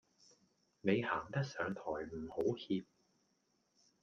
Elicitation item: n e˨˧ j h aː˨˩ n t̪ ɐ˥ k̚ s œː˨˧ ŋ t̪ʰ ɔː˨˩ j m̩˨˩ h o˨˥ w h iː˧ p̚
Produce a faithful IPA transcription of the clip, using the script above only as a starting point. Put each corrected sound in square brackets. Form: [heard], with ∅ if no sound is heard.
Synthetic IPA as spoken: n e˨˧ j h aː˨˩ [ŋ] t̪ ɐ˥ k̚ s œː˨˧ ŋ t̪ʰ ɔː˨˩ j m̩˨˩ h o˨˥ w h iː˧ p̚